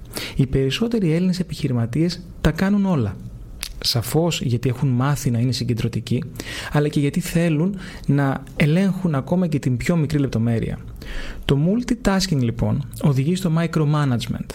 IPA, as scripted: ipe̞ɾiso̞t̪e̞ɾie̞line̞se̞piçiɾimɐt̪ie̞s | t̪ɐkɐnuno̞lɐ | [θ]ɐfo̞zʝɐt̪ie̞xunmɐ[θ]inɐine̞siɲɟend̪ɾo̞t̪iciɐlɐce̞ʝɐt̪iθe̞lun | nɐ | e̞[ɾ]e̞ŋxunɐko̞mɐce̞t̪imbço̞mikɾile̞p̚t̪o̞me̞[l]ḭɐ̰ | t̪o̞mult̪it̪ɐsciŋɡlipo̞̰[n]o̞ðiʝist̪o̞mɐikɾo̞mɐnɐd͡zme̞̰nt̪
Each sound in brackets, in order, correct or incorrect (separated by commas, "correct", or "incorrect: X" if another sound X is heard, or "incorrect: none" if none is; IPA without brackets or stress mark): incorrect: s, correct, incorrect: l, incorrect: ɾ, correct